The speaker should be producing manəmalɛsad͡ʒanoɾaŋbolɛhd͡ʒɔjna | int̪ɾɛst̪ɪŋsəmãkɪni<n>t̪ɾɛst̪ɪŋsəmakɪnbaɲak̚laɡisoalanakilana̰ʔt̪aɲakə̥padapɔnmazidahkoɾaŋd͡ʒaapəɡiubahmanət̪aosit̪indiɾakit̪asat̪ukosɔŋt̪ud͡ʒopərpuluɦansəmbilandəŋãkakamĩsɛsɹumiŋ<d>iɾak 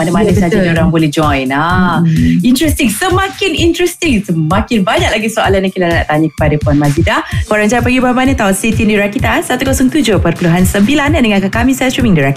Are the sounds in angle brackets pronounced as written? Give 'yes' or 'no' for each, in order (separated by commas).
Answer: yes, yes